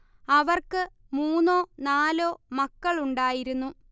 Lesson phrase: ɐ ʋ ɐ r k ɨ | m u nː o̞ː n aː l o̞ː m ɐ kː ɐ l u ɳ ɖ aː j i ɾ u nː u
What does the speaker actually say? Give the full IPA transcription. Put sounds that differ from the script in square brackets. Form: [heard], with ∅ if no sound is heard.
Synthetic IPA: ɐ ʋ ɐ r k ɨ | m [uː] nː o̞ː n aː l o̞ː m ɐ kː ɐ [ɭ] u ɳ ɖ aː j i ɾ u nː u